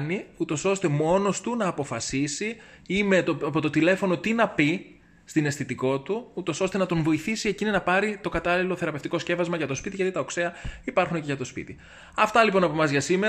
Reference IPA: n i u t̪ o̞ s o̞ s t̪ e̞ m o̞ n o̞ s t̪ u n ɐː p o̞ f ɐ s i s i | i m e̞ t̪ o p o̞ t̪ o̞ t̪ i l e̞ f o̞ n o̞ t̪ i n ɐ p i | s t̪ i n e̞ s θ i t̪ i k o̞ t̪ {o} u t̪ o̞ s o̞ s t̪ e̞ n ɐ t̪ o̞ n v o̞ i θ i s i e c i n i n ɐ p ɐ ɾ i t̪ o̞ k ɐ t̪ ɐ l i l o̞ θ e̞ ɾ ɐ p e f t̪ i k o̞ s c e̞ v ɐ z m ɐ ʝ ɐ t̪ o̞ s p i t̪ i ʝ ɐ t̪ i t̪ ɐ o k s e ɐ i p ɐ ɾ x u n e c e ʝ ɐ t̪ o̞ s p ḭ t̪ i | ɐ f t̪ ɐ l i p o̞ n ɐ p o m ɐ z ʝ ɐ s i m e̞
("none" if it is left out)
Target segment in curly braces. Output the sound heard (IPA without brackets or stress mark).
u